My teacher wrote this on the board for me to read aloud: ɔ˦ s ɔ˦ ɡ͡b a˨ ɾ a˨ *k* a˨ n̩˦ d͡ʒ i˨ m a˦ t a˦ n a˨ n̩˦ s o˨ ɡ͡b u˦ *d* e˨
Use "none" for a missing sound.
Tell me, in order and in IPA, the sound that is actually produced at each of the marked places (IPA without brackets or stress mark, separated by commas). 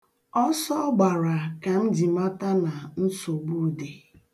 k, d